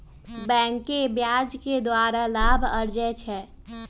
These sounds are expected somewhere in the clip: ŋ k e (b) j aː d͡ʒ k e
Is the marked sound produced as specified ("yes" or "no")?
yes